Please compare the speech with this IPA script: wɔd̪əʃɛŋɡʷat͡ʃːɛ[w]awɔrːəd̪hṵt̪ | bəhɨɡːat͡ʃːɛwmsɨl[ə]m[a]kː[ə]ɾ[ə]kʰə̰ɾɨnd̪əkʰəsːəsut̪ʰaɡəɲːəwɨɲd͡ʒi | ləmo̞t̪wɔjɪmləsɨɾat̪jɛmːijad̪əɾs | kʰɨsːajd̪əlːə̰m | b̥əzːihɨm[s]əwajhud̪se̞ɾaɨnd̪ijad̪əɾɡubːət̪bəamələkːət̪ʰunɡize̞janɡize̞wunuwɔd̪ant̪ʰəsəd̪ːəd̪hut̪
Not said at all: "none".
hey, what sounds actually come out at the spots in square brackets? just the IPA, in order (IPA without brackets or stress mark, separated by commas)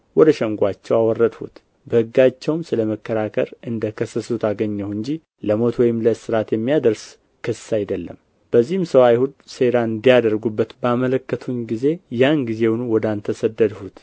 w, ə, ə, ə, a, s